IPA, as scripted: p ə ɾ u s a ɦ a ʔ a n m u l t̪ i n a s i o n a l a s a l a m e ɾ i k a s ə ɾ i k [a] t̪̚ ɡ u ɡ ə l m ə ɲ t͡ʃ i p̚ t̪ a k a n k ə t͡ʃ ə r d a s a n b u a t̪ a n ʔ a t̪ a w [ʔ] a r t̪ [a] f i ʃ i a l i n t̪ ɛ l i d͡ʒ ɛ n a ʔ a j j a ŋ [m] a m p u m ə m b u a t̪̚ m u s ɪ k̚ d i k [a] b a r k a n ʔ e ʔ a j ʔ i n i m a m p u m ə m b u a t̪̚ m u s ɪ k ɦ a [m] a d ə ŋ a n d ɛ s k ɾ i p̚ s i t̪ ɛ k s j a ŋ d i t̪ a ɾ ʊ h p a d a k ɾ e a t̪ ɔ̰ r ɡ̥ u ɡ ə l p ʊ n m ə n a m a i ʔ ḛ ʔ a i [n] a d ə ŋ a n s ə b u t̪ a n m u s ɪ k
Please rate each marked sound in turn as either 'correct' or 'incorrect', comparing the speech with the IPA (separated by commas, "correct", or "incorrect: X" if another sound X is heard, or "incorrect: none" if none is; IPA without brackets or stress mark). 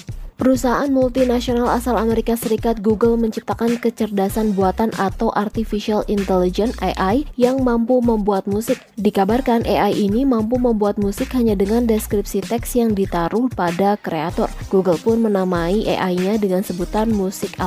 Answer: correct, correct, incorrect: i, correct, correct, incorrect: ɲ, incorrect: ɲ